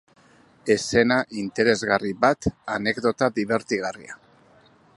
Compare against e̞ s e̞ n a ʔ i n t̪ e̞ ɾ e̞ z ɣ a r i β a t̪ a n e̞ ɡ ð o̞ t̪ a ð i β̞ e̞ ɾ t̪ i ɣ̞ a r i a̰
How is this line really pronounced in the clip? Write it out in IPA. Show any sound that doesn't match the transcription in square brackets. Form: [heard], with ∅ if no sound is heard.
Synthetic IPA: e̞ s e̞ n a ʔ i n t̪ e̞ ɾ e̞ z ɣ a r i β a t̪ a n e̞ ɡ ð o̞ t̪ a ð i β̞ e̞ ɾ t̪ i ɣ̞ a r i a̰